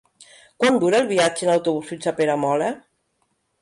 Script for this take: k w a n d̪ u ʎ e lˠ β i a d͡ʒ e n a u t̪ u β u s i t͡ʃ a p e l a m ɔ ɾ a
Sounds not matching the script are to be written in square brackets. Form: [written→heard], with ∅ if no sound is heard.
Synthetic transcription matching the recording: k w a n d̪ u [ʎ→ɾ] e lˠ β i a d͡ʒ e n a [u→w] t̪ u β u s i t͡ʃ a p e [l→ɾ] a m ɔ [ɾ→l] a